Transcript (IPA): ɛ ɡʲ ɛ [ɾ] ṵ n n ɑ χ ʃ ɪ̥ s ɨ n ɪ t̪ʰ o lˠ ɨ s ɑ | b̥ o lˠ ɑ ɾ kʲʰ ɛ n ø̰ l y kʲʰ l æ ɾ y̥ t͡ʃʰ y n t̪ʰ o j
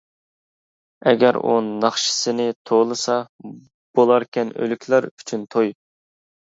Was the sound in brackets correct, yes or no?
yes